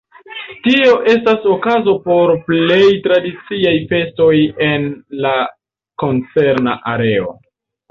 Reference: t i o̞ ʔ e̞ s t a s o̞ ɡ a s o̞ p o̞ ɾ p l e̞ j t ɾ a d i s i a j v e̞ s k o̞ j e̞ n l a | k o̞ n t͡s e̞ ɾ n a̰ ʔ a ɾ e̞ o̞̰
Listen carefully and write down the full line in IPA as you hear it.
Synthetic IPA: t i o̞ ʔ e̞ s t a s o̞ k a z o̞ p o̞ ɾ p l e̞ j t ɾ a d i t͡s i a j f e̞ s t o̞ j e̞ n l a | k o̞ n t͡s e̞ ɾ n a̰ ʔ a ɾ e̞ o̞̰